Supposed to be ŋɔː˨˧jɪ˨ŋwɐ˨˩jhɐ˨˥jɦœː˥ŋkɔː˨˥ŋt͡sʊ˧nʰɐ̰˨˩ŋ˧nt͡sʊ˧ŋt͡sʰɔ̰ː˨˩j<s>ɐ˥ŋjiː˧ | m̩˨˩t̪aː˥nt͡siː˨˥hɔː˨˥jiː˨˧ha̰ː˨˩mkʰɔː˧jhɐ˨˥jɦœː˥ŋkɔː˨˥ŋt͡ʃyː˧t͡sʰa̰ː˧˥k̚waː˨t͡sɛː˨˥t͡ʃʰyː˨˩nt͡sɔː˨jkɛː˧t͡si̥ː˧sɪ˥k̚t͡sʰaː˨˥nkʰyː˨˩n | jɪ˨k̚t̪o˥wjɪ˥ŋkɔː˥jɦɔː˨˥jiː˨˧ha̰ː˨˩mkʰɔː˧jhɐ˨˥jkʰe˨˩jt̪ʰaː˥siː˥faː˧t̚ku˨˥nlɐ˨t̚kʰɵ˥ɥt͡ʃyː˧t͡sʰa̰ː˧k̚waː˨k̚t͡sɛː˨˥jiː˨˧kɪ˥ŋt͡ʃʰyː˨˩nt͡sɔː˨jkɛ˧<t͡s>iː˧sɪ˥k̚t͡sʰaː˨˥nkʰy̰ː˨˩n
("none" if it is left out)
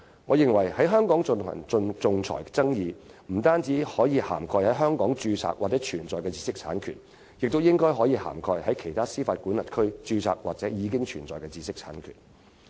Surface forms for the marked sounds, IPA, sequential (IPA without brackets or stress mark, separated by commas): t͡s, t͡s